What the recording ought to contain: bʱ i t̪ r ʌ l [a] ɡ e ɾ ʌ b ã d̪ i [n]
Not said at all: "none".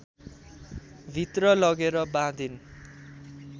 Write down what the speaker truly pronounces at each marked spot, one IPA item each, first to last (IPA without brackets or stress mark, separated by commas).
ʌ, n